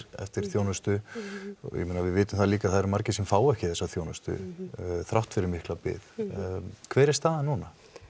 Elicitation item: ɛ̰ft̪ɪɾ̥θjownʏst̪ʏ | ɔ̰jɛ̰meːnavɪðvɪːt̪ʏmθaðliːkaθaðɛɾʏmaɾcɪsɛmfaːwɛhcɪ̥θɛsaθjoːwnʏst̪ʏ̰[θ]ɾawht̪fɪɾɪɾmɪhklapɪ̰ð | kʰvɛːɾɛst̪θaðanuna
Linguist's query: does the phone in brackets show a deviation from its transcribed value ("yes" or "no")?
no